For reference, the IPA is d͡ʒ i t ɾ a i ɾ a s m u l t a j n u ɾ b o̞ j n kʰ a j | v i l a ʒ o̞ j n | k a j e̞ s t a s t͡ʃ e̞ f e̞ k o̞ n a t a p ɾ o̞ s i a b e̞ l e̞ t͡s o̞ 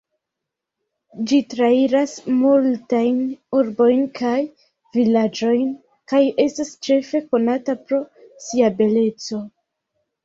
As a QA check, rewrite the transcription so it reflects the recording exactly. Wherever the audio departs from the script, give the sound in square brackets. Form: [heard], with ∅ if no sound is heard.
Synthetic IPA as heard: d͡ʒ i t ɾ a i ɾ a s m u l t a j n u ɾ b o̞ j n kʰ a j | v i l a [d͡ʒ] o̞ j n | k a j e̞ s t a s t͡ʃ e̞ f e̞ k o̞ n a t a p ɾ o̞ s i a b e̞ l e̞ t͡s o̞